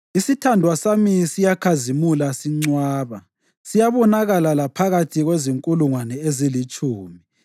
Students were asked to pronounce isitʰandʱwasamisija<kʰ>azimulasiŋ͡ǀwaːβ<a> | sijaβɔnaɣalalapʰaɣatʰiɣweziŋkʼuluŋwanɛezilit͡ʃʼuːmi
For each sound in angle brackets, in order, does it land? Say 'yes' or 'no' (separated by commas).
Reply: yes, yes